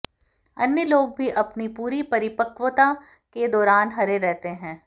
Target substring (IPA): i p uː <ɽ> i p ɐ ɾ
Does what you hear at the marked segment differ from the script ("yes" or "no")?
yes